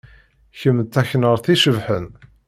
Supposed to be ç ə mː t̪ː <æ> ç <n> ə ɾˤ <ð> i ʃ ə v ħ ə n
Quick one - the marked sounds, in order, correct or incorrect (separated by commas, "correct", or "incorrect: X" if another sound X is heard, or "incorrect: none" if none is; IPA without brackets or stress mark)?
correct, correct, incorrect: θ